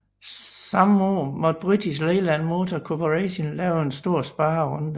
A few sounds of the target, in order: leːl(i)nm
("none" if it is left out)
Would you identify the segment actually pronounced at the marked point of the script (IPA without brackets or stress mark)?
æ